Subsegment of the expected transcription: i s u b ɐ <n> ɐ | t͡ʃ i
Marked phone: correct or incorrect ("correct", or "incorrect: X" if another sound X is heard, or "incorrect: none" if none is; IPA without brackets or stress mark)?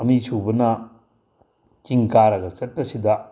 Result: correct